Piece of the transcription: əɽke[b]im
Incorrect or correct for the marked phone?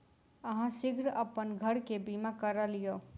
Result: correct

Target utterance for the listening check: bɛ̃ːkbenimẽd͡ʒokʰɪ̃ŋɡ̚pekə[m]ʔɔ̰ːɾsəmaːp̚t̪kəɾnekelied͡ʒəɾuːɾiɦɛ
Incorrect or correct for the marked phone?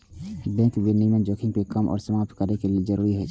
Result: correct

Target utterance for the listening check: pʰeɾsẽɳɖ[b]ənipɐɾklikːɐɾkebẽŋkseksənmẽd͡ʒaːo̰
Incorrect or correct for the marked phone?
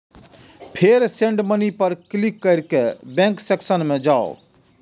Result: incorrect: m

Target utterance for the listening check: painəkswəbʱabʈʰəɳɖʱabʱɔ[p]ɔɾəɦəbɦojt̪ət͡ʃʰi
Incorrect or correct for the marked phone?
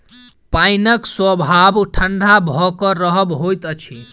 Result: incorrect: k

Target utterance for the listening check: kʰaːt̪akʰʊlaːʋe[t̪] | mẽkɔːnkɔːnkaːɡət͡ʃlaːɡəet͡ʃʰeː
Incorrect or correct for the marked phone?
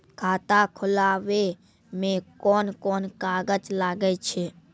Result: incorrect: none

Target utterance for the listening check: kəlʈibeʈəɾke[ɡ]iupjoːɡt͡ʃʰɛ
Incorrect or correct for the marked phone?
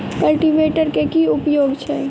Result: incorrect: k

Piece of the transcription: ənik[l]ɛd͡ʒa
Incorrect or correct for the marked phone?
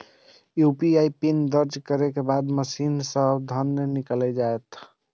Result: correct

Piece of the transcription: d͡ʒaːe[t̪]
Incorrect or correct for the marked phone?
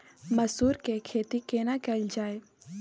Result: incorrect: none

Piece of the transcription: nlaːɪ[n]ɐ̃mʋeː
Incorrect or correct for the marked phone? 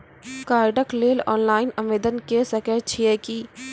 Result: correct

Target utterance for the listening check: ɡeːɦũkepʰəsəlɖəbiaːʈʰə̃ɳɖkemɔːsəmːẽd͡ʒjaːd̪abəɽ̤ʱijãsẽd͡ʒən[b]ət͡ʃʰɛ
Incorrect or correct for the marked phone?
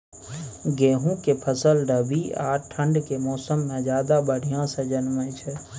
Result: incorrect: m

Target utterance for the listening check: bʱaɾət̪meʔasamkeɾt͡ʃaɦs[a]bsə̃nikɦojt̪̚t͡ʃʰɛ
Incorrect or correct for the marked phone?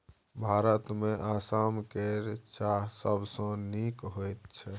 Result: incorrect: ə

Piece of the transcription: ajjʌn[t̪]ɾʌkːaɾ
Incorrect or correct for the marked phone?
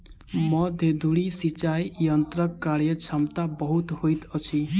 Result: correct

